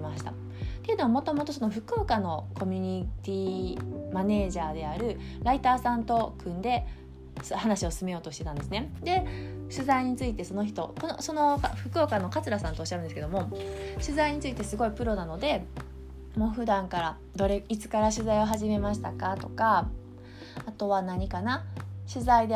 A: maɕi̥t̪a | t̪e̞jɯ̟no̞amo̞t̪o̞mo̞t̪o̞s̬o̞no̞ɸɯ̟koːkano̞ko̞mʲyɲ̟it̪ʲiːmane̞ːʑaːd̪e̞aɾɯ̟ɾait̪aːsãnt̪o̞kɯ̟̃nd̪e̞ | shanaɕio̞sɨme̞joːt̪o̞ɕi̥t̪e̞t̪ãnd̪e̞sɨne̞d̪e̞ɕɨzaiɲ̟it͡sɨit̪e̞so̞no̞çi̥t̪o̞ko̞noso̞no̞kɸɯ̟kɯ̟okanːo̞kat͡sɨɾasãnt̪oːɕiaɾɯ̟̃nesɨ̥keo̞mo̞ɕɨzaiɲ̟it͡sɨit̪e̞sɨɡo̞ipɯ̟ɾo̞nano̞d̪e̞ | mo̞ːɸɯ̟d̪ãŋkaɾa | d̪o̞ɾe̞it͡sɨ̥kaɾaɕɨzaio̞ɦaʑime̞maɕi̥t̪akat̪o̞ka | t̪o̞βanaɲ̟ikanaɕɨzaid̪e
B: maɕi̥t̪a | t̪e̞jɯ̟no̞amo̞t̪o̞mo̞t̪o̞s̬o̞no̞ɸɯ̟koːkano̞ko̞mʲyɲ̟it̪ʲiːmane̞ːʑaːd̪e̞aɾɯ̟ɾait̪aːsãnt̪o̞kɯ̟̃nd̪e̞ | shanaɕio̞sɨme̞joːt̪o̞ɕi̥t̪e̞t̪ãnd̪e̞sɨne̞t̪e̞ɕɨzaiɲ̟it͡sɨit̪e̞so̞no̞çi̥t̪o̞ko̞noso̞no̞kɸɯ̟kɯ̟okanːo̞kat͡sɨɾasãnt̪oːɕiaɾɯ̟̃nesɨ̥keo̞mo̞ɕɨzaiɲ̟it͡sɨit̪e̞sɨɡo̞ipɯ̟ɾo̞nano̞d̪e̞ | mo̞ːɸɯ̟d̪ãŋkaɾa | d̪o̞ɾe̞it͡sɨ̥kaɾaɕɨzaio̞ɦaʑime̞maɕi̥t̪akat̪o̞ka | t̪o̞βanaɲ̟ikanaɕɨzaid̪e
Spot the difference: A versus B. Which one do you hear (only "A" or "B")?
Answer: A